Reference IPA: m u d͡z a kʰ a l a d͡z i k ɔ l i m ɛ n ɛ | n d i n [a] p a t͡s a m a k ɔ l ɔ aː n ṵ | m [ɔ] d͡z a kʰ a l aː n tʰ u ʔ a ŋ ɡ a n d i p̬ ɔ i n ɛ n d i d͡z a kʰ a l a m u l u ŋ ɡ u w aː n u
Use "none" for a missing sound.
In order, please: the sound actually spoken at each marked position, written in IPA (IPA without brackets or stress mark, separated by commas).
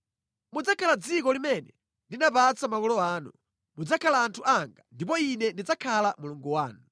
a, u